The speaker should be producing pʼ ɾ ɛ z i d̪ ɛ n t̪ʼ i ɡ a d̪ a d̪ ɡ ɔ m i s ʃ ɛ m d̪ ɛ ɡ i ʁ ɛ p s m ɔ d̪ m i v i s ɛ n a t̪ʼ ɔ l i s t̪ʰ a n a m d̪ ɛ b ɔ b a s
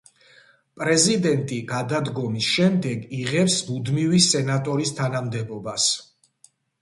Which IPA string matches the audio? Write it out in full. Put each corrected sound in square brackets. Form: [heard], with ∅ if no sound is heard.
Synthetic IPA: pʼ ɾ ɛ z i d̪ ɛ n t̪ʼ i ɡ a d̪ a d̪ ɡ ɔ m i s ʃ ɛ m d̪ ɛ ɡ i ʁ ɛ p s m [u] d̪ m i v i s ɛ n a t̪ʼ ɔ [ɾ] i s t̪ʰ a n a m d̪ ɛ b ɔ b a s